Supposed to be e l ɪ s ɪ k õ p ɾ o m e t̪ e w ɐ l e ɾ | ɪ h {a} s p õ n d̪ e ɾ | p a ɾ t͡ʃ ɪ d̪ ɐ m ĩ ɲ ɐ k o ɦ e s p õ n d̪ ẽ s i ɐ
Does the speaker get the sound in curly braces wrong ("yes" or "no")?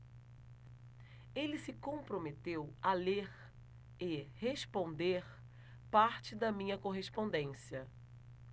yes